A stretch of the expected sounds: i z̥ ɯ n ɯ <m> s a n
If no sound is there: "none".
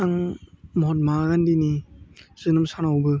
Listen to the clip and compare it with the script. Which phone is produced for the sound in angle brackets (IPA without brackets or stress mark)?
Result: m